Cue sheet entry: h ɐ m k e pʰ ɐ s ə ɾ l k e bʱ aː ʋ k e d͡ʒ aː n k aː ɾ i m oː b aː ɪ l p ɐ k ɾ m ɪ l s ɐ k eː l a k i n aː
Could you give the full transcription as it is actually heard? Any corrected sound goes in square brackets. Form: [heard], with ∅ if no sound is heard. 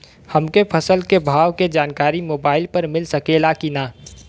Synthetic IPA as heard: h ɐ m k e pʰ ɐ s ə [∅] l k e bʱ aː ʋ k e d͡ʒ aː n k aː ɾ i m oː b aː ɪ l p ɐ [∅] ɾ m ɪ l s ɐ k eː l a k i n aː